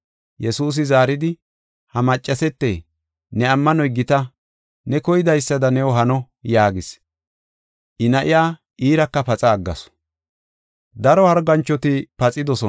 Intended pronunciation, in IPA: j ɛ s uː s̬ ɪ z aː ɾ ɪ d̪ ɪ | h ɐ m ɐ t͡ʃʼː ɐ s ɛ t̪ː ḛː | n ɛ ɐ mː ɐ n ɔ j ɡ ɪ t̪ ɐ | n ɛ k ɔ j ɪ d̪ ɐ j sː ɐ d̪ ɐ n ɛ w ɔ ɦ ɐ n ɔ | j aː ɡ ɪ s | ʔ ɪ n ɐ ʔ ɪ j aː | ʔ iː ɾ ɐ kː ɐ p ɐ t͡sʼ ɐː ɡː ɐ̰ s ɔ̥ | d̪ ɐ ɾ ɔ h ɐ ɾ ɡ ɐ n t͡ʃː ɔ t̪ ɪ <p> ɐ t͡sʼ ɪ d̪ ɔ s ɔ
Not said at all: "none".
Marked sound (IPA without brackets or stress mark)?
p